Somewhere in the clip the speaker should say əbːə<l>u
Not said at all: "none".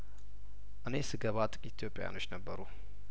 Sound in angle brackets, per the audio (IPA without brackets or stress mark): ɾ